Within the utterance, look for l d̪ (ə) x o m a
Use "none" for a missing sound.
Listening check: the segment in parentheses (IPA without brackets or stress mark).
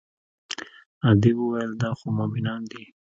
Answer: ɑ